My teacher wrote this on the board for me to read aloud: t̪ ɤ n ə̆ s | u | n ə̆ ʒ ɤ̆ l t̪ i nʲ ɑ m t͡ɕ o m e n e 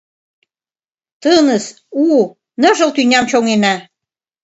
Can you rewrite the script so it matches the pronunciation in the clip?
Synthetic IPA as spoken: t̪ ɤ n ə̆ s | u | n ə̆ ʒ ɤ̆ l t̪ y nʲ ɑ m t͡ɕ o ŋ e n æ